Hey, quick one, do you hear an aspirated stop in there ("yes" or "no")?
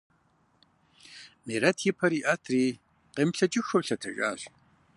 yes